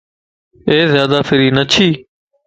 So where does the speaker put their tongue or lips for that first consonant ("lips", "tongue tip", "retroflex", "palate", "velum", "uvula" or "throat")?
tongue tip